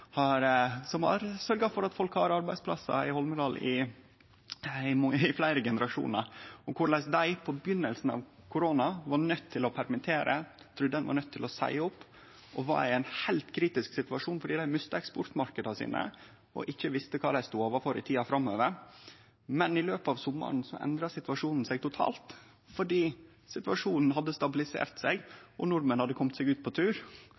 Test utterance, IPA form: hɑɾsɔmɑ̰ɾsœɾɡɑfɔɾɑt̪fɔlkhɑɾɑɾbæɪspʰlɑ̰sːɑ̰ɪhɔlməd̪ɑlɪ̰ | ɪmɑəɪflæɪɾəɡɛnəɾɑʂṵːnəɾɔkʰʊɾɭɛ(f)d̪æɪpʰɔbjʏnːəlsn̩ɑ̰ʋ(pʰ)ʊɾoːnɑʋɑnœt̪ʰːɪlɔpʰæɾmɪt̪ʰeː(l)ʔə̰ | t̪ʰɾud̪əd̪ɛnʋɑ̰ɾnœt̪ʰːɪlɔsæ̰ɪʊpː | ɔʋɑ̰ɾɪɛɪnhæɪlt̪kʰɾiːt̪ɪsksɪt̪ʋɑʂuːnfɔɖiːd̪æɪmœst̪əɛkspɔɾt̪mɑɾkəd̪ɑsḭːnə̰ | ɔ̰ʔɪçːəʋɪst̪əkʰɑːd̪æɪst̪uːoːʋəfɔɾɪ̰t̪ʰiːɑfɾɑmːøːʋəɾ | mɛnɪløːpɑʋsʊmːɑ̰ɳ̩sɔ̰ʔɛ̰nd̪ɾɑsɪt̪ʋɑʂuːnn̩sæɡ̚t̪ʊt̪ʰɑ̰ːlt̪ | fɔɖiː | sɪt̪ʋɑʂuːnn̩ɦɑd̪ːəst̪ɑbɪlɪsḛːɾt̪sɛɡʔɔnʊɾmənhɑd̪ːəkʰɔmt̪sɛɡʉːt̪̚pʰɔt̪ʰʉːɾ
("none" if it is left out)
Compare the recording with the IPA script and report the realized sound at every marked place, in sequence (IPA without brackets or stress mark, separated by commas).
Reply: s, kʰ, ɾ